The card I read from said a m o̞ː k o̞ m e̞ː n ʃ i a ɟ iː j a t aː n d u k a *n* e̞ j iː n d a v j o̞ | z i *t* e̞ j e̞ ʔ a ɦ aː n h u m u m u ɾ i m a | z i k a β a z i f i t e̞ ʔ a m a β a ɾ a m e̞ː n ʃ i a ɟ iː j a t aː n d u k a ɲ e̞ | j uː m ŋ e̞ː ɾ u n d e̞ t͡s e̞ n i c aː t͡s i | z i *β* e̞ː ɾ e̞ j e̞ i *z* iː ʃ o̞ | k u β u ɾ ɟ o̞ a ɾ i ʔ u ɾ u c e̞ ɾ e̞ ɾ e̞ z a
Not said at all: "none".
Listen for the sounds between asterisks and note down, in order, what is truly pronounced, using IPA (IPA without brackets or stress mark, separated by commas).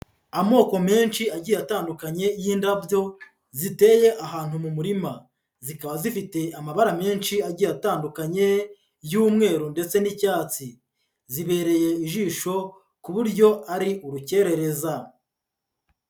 ɲ, t, β, ʒ